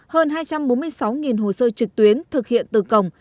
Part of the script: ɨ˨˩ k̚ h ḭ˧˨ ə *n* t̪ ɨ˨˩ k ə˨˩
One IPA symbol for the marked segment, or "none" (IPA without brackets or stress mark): n